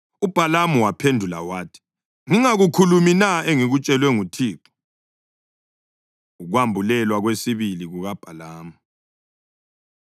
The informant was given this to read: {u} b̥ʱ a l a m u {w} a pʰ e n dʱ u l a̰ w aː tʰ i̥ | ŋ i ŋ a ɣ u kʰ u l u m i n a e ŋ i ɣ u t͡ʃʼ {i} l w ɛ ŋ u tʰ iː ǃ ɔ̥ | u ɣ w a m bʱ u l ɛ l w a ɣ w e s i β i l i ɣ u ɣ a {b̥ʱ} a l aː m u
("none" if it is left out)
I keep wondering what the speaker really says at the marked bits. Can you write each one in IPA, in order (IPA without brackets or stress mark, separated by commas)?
u, w, ɛ, b̥ʱ